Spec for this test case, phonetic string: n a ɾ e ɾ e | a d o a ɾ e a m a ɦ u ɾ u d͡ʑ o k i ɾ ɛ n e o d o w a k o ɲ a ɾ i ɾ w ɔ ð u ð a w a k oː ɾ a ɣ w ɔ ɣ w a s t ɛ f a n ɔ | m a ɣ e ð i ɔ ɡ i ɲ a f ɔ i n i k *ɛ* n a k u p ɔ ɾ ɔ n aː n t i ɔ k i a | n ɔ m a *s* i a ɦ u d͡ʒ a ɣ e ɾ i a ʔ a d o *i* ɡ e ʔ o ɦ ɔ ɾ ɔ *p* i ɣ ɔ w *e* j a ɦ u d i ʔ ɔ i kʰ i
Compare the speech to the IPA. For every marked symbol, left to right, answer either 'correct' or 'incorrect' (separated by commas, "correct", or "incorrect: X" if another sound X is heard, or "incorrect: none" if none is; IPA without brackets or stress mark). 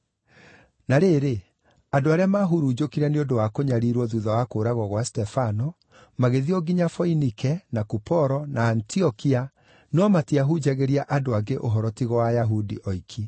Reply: correct, incorrect: t, incorrect: a, incorrect: t, incorrect: a